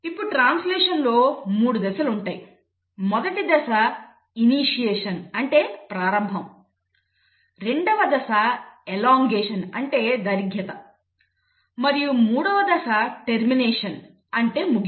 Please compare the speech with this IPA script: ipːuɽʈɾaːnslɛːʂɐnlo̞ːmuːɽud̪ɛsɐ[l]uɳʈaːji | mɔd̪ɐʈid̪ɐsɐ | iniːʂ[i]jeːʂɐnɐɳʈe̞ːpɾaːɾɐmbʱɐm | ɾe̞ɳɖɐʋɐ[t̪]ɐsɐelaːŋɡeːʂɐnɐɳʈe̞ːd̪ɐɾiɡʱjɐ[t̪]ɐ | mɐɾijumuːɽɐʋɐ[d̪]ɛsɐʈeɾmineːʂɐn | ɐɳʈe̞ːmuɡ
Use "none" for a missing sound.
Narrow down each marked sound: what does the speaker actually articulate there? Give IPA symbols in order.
l, i, d̪, t̪, d̪

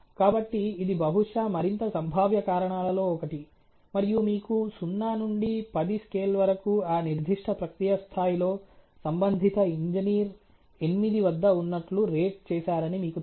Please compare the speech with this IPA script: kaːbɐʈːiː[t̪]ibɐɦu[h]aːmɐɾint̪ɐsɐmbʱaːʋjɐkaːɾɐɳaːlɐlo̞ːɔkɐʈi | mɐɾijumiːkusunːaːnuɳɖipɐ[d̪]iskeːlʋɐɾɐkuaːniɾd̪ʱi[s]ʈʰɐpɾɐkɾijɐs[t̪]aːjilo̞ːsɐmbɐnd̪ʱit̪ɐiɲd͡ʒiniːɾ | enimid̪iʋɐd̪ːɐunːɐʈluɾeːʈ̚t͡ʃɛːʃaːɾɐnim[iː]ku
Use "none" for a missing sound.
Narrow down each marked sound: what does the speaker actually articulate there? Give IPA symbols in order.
d̪, ʂ, d̪, ʂ, t̪ʰ, iː

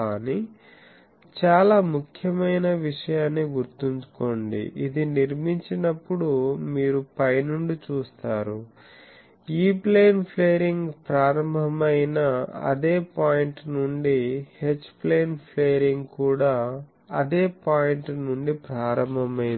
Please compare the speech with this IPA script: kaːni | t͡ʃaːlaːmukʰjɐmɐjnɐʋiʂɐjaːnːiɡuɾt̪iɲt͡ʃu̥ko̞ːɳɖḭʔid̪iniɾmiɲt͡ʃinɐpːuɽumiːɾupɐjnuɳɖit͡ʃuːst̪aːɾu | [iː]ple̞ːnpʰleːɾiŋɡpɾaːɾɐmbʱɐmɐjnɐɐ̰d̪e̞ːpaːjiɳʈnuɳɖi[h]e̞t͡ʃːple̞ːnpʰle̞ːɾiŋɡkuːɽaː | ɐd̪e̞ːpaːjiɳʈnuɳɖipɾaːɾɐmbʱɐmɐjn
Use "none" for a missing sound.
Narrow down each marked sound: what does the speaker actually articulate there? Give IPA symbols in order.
iː, h

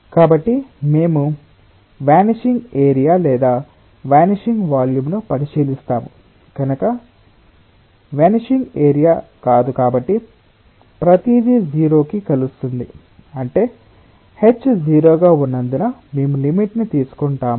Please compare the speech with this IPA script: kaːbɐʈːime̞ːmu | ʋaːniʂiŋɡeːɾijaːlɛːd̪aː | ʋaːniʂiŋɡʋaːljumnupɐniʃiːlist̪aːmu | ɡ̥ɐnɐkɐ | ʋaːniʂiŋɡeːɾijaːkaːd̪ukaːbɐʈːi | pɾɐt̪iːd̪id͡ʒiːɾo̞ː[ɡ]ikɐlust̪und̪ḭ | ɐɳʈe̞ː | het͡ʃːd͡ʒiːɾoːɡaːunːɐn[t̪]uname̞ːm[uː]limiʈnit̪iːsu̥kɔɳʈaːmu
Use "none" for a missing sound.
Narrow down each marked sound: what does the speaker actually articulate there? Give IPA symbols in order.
k, d̪, u

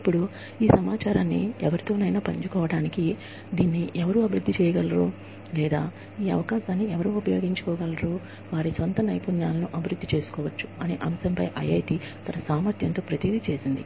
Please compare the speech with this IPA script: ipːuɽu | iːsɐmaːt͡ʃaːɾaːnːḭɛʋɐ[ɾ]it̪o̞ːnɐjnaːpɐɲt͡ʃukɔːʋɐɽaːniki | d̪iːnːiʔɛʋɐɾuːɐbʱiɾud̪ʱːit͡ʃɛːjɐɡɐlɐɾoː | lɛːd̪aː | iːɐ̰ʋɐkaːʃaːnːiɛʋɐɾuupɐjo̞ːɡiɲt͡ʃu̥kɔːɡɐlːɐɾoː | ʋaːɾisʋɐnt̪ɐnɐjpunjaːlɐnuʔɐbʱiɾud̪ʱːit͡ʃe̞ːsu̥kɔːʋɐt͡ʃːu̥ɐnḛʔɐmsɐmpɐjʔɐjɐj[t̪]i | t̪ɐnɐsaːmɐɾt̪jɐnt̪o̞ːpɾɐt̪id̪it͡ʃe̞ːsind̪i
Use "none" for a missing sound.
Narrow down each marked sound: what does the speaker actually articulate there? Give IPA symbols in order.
ɾ, t̪

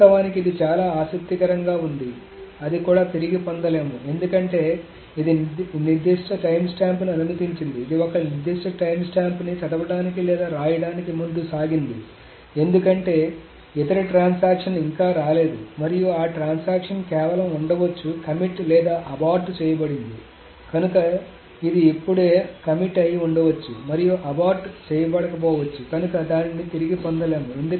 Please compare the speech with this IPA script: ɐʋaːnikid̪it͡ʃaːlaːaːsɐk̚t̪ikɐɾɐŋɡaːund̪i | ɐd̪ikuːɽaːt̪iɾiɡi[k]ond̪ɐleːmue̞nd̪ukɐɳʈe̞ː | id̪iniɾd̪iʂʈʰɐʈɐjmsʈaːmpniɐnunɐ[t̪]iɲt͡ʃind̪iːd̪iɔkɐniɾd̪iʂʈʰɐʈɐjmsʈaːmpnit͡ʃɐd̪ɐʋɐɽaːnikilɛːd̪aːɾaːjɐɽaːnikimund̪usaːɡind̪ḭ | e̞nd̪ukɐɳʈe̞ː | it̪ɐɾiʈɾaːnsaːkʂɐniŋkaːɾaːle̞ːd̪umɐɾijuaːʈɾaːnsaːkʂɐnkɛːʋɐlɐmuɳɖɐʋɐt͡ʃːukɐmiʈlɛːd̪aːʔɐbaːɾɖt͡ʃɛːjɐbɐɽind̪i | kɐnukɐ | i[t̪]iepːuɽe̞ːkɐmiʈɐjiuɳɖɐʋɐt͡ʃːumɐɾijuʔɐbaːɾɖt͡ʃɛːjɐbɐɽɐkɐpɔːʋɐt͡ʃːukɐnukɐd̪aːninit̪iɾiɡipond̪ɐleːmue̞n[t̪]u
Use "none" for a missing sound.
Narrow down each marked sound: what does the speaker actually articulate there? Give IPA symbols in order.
p, t̪, d̪, d̪

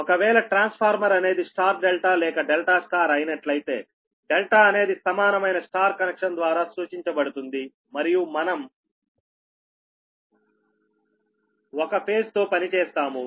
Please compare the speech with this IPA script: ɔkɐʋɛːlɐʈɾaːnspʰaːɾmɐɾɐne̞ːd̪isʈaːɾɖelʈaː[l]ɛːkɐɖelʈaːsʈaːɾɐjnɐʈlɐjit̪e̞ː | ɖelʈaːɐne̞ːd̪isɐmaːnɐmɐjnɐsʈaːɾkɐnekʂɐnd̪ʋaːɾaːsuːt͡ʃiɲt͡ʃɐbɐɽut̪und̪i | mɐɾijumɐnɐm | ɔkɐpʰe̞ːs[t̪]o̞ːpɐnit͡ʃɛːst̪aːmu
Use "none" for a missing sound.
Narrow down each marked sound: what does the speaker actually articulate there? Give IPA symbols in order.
l, t̪

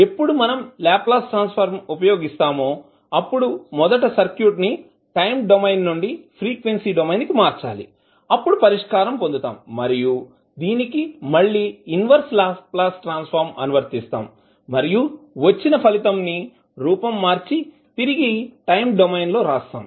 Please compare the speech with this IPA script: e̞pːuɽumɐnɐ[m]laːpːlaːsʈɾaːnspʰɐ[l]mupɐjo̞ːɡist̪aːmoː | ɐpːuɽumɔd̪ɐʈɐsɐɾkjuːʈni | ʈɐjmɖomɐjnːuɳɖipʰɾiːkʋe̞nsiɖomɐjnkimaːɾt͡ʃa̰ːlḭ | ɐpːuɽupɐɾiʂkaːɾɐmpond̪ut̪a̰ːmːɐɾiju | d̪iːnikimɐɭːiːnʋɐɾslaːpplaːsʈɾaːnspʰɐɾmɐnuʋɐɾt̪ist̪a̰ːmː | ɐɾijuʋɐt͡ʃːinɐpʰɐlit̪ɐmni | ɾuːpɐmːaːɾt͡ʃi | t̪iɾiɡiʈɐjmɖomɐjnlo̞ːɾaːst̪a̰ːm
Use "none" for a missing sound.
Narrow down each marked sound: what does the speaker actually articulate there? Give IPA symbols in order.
m, ɾ

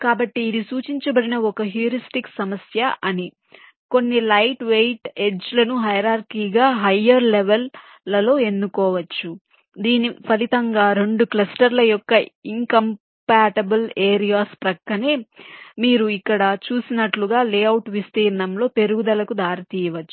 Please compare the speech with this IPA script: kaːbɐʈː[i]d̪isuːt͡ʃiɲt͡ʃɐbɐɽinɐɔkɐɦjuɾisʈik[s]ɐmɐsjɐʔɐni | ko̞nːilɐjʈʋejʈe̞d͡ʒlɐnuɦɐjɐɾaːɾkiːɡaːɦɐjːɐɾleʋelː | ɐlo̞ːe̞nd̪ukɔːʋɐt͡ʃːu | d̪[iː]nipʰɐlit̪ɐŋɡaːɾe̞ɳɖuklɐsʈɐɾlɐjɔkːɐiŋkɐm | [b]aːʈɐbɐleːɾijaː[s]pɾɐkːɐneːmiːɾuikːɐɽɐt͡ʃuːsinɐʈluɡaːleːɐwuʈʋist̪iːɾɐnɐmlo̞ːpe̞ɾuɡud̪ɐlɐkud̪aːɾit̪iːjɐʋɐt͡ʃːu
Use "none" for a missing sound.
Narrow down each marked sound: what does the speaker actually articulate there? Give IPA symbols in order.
iː, s, iː, p, s

